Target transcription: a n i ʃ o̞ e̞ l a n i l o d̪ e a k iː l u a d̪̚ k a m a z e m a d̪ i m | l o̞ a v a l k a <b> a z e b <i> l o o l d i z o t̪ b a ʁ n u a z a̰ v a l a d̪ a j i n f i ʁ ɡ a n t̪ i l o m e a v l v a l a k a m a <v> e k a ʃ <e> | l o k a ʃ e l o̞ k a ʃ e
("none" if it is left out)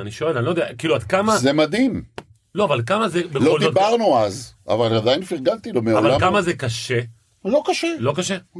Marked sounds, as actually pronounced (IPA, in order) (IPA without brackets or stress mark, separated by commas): m, e, z, e